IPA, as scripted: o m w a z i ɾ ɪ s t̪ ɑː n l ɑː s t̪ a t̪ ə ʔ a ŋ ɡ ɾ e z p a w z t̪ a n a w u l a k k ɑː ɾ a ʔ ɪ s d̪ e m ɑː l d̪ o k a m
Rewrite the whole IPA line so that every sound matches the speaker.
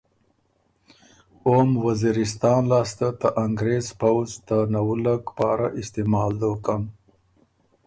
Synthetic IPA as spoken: o m w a z i ɾ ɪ s t̪ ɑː n l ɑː s t̪ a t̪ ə ʔ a ŋ ɡ ɾ e z p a w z t̪ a n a w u l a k p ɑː ɾ a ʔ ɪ s t̪ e m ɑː l d̪ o k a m